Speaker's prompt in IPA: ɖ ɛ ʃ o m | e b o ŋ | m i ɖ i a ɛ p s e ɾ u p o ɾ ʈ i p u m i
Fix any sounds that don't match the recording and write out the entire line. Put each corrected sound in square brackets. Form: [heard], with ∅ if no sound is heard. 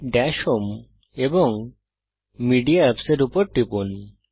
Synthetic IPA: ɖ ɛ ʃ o m | e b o ŋ | m i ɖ i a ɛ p s e ɾ u p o ɾ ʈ i p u [n] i